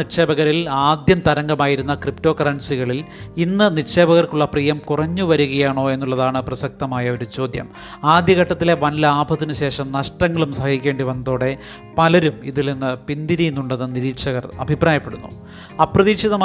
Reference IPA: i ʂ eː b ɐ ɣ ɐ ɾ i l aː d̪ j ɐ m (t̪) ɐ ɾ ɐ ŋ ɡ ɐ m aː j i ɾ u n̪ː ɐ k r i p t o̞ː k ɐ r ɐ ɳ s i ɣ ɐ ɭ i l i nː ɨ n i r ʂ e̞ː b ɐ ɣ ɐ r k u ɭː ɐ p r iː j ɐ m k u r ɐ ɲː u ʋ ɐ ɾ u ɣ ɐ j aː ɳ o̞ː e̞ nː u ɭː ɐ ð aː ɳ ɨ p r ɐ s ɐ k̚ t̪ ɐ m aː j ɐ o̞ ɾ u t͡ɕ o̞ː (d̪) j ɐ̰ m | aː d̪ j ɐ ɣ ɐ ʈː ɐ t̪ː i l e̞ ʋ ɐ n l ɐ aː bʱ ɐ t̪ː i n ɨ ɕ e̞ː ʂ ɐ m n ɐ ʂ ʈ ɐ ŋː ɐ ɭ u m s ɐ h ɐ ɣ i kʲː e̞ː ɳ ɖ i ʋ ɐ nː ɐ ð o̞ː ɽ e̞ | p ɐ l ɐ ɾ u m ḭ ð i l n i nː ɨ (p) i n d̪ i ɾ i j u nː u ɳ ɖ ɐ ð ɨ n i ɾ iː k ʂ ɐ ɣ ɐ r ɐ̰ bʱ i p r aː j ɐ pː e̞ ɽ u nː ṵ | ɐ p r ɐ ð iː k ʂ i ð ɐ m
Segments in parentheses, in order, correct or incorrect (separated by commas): correct, correct, correct